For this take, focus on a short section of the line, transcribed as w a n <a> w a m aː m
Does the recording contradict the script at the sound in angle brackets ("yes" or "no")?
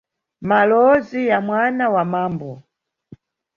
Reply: no